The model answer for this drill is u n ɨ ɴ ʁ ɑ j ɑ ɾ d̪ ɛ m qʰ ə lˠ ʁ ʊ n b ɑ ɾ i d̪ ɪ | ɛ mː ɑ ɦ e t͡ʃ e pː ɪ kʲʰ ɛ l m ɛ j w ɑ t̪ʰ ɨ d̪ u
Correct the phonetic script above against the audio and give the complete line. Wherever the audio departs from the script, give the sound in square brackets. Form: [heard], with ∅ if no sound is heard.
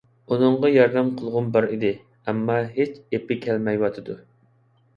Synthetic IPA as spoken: u n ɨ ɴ ʁ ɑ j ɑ ɾ d̪ ɛ m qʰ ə lˠ ʁ ʊ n b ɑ ɾ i d̪ ɪ | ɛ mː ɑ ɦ e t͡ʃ e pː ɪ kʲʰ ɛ l m ɛ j w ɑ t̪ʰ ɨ d̪ u